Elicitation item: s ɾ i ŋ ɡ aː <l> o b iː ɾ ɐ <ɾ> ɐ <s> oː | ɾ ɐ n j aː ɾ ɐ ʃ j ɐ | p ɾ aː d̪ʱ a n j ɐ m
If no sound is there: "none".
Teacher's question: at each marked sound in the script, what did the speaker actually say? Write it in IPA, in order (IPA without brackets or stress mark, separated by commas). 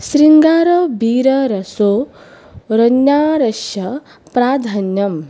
ɾ, ɾ, s